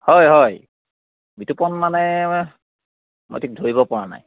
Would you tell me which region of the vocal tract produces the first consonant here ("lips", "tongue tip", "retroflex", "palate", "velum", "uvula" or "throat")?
throat